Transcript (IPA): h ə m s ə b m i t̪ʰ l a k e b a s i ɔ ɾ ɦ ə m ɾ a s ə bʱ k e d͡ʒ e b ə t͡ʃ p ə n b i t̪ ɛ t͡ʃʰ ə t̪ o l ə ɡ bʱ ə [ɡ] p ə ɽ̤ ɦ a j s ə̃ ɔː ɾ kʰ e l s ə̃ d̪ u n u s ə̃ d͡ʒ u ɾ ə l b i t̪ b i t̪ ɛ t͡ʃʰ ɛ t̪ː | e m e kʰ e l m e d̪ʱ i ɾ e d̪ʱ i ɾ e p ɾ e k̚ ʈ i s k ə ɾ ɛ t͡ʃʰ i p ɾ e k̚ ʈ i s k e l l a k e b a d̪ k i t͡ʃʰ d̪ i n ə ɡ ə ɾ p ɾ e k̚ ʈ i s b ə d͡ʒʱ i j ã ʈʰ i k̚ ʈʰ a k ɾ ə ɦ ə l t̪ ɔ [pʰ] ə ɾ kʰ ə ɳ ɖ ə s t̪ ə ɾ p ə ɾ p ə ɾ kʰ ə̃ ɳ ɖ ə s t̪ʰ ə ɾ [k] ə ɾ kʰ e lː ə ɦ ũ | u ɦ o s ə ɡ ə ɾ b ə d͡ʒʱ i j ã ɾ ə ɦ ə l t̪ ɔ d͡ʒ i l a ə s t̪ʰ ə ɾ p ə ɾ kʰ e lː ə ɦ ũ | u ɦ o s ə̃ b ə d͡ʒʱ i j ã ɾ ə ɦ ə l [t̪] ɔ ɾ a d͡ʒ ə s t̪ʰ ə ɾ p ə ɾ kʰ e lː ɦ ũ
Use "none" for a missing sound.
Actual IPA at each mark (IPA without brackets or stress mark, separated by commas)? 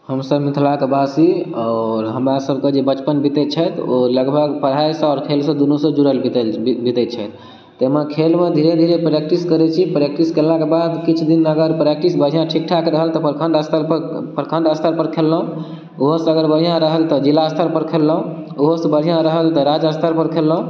ɡ, p, p, t̪